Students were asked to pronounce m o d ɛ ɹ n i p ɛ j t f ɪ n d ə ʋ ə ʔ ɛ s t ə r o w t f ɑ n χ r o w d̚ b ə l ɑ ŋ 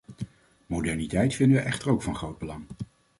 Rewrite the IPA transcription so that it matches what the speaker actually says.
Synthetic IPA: m o d ɛ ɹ n i t ɛ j t f ɪ n d ə ʋ ə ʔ ɛ χ t ə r o w k f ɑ n χ r o w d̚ b ə l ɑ ŋ